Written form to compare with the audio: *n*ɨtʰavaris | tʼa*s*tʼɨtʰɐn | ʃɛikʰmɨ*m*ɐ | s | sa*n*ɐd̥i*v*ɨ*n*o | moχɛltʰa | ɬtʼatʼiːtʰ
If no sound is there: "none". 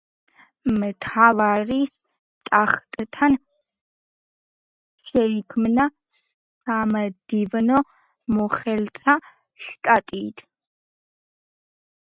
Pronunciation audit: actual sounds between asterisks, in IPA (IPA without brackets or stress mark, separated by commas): m, χ, n, m, v, n